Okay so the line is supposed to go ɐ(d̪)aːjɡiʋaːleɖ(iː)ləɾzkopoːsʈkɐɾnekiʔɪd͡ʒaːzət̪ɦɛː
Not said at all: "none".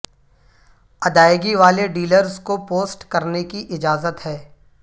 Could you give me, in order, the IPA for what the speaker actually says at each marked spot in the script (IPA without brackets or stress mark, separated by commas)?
d̪, iː